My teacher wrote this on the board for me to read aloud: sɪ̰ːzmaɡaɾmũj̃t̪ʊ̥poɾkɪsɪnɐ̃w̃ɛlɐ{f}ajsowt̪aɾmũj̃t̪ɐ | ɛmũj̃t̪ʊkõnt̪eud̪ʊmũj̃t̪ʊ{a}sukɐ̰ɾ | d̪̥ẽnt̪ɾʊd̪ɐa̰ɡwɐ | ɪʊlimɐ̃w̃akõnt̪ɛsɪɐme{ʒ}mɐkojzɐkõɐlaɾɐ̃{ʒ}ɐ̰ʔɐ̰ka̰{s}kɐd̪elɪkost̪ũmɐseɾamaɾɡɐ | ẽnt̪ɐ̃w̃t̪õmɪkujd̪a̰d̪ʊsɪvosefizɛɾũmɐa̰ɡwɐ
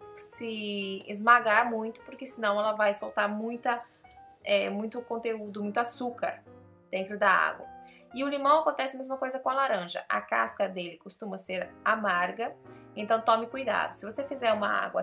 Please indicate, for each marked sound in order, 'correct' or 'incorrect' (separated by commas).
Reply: incorrect, correct, incorrect, correct, correct